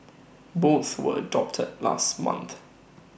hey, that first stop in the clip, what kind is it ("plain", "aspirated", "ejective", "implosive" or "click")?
plain